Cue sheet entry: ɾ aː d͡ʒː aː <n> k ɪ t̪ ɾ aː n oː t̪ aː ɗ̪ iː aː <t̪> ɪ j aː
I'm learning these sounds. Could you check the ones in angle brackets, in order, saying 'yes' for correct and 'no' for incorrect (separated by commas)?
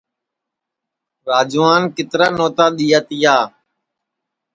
yes, yes